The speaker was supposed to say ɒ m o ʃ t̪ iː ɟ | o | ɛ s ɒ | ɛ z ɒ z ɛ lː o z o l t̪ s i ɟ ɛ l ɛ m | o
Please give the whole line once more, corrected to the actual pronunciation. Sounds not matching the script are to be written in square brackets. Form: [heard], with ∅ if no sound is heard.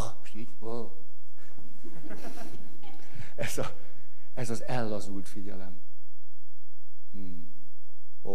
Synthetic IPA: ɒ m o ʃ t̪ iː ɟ | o | ɛ [z] ɒ | ɛ z ɒ z ɛ lː [ɒ] z [u] l t̪ [f] i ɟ ɛ l ɛ m | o